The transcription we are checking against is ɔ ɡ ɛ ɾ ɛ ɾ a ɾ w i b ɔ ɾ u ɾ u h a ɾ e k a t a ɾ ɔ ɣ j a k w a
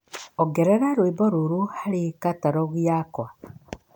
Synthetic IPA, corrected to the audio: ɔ ɡ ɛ ɾ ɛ ɾ a ɾ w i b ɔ ɾ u ɾ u h a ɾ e k a t a ɾ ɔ ɣ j a k w a